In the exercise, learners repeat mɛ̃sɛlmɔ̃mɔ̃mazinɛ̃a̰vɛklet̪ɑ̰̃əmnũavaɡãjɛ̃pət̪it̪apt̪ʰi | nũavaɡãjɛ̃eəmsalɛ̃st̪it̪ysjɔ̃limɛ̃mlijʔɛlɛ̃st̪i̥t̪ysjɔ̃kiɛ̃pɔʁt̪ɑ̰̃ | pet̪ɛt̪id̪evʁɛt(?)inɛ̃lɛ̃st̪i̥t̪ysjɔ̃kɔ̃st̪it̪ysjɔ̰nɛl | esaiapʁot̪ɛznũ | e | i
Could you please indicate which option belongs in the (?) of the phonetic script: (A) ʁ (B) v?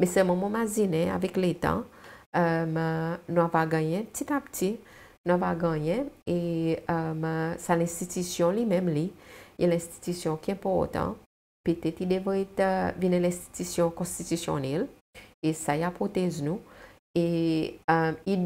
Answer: B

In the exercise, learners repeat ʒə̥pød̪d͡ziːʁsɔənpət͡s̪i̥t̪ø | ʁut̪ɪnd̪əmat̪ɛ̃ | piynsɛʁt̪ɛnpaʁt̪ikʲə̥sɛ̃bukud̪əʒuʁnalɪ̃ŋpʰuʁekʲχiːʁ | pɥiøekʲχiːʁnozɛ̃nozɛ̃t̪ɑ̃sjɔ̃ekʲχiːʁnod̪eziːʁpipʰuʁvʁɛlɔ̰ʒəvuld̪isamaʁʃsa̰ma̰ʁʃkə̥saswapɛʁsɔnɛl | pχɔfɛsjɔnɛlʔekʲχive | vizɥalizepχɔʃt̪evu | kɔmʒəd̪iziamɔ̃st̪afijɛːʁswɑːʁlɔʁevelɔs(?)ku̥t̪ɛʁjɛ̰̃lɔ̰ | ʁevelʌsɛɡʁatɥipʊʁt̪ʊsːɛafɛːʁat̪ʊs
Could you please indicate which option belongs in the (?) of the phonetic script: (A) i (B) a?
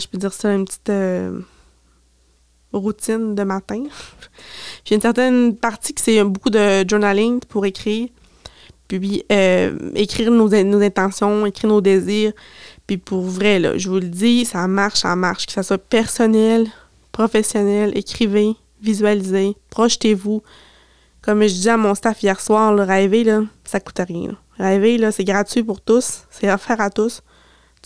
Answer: B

